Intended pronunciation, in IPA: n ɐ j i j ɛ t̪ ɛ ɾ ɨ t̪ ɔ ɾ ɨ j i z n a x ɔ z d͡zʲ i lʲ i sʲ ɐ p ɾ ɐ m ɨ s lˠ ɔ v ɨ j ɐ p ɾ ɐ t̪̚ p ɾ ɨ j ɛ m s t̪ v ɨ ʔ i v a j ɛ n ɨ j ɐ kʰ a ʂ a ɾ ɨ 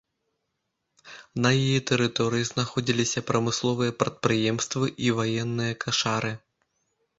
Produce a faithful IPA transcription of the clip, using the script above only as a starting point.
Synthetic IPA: n ɐ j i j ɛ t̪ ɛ ɾ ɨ t̪ ɔ ɾ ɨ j i z n a x ɔ d͡zʲ i lʲ i sʲ ɐ p ɾ ɐ m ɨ s lˠ ɔ v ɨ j ɐ p ɾ ɐ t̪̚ p ɾ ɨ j ɛ m s t̪ v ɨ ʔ i v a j ɛ nː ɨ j ɐ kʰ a ʂ a ɾ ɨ